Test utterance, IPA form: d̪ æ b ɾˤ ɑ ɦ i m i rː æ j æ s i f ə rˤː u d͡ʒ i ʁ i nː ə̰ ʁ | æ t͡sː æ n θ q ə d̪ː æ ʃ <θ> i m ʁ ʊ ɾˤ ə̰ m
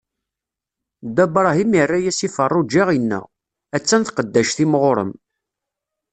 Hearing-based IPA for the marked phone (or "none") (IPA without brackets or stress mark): θ